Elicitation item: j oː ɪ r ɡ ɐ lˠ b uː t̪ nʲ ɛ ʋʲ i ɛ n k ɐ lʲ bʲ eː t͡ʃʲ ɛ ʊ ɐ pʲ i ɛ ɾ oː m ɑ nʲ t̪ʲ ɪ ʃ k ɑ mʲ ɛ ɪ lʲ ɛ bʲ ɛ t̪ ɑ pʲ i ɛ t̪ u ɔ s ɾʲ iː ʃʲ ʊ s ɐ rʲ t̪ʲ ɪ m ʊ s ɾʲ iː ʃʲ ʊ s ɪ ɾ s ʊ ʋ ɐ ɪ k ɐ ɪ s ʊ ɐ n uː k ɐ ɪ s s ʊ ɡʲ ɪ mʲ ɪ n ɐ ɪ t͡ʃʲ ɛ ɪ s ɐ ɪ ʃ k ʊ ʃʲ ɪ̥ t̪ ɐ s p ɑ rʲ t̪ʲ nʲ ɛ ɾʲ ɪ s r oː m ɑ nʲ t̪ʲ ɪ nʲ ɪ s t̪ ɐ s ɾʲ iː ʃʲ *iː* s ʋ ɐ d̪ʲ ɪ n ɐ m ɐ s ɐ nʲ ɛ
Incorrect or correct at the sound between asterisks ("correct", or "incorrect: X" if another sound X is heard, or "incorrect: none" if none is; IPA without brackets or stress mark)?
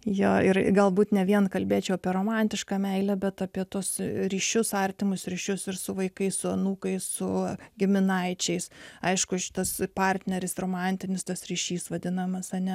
correct